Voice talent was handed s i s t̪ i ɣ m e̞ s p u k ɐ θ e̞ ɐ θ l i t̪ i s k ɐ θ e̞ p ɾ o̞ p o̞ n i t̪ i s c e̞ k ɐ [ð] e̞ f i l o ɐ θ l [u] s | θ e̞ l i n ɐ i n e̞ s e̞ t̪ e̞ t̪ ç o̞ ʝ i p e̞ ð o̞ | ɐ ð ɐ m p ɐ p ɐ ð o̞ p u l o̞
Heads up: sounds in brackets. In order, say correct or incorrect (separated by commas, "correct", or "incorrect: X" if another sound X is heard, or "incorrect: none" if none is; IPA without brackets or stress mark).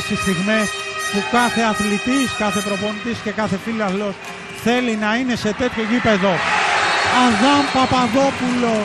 incorrect: θ, incorrect: o